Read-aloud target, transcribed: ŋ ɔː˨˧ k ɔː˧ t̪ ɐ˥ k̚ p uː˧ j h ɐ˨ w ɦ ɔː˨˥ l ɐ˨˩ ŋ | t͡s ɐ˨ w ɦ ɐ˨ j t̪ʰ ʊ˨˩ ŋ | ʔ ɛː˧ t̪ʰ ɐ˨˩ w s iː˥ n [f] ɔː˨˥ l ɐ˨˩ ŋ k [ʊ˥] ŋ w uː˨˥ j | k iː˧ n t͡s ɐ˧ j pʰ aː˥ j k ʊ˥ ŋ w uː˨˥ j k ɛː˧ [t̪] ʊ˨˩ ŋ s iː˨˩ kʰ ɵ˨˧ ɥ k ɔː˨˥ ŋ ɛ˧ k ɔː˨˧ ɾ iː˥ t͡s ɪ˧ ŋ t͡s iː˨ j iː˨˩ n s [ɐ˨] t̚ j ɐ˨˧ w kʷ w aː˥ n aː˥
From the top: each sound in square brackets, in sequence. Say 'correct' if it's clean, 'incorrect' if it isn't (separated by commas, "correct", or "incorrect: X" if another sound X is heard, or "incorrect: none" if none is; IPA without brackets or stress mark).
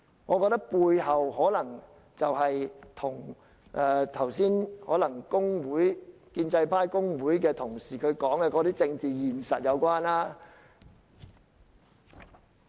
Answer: incorrect: h, correct, incorrect: t̪ʰ, correct